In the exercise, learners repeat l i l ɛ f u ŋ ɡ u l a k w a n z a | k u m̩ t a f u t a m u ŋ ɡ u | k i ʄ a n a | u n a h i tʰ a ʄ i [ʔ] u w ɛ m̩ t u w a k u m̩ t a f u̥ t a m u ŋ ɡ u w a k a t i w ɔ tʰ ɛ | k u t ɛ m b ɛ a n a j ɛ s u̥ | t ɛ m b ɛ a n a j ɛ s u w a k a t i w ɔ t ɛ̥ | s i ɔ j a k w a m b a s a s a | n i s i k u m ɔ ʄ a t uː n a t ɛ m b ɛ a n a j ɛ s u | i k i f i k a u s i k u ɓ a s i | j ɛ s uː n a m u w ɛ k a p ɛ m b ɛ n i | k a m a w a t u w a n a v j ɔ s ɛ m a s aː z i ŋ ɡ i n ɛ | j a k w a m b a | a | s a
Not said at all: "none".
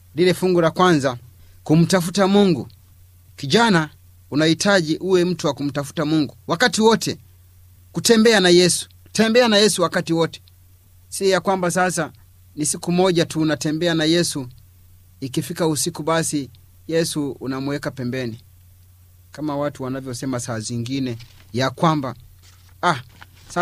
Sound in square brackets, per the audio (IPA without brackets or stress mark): ʔ